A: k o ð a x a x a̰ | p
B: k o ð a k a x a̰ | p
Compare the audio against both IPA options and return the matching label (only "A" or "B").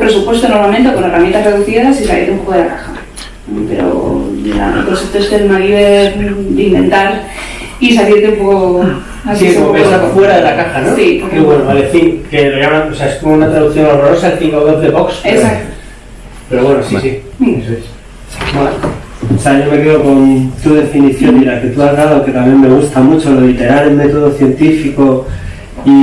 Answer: B